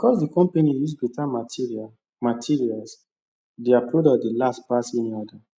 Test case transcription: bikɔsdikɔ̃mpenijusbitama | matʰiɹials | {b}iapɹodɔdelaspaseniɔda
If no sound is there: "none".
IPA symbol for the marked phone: d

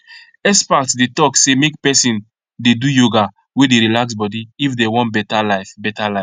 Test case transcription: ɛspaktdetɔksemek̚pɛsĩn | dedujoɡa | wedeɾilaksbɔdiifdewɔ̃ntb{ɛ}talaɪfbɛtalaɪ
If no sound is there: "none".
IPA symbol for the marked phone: ɛ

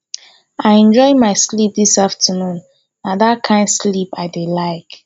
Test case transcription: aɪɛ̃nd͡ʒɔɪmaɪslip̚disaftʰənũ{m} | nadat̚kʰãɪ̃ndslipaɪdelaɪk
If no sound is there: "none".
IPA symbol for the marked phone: n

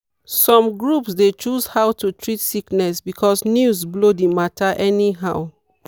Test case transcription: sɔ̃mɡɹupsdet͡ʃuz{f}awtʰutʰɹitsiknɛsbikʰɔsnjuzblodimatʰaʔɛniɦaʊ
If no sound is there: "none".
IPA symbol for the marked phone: h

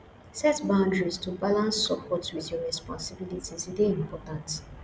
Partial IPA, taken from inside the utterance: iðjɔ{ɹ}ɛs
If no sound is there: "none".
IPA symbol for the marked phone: ɹ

